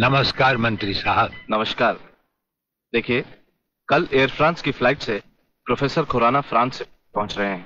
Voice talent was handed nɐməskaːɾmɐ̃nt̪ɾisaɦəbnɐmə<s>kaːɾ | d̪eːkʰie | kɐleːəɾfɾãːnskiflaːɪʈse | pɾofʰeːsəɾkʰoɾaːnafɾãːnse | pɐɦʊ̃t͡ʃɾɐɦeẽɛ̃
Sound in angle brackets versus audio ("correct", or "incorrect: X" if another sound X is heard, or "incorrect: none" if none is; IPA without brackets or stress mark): incorrect: ʃ